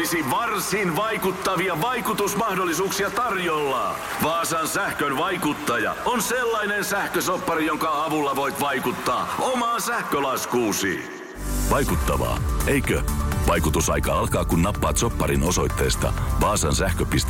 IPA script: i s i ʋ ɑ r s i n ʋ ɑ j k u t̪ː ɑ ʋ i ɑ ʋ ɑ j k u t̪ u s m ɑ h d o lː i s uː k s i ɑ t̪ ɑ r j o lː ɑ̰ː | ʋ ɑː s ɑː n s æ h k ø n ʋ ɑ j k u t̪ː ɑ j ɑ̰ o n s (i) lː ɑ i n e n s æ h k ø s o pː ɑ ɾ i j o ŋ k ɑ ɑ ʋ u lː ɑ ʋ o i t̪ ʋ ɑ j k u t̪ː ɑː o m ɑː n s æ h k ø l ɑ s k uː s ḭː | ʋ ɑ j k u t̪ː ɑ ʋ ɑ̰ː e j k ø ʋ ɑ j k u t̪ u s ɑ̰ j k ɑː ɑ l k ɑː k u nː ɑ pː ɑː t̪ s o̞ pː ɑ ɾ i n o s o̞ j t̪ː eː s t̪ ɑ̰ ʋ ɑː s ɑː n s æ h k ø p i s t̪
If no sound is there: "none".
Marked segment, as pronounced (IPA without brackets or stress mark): e